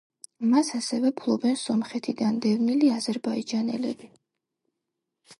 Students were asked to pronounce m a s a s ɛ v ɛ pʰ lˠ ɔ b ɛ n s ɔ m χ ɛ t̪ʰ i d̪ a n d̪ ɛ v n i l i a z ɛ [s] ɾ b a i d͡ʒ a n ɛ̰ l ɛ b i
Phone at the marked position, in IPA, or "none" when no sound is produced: none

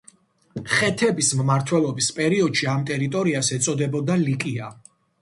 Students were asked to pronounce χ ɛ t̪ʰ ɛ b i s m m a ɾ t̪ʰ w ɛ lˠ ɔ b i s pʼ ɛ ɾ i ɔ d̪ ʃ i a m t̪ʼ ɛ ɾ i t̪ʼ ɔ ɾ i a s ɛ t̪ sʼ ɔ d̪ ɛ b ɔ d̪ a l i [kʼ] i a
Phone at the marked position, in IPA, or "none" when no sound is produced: kʼ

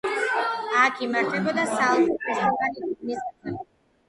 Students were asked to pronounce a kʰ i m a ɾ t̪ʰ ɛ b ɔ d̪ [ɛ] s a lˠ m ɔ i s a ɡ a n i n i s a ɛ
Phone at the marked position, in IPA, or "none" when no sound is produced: a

